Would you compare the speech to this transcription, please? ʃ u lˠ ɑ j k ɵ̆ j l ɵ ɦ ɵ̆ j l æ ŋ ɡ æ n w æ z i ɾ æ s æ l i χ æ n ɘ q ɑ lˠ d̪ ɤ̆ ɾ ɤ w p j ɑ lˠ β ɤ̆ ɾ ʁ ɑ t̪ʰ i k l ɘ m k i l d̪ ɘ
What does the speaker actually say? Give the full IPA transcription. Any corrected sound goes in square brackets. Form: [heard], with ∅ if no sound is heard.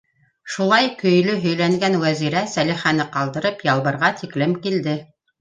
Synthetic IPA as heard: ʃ u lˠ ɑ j k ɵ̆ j l ɵ ɦ ɵ̆ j l æ ŋ ɡ æ n w æ z i ɾ æ s æ l i χ æ n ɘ q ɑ lˠ d̪ ɤ̆ ɾ ɤ [∅] p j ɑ lˠ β ɤ̆ ɾ ʁ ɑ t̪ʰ i k l ɘ m k i l d̪ ɘ